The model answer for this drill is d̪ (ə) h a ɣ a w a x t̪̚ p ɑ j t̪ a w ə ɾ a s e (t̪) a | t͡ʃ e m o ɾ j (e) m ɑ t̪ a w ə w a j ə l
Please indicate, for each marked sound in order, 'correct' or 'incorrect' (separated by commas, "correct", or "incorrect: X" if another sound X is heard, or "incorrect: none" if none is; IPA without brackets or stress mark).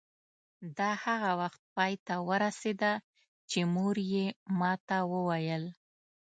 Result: incorrect: ɑ, incorrect: d̪, correct